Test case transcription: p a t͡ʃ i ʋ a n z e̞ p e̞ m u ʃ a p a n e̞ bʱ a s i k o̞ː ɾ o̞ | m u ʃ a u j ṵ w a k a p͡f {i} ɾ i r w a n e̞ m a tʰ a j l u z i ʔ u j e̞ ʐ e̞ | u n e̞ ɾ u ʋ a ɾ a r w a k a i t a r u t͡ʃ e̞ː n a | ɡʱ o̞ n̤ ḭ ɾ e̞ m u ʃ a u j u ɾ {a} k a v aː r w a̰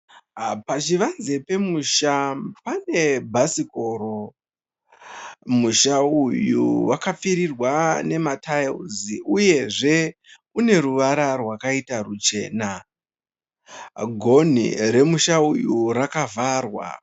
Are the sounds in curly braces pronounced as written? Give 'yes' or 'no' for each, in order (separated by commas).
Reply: yes, yes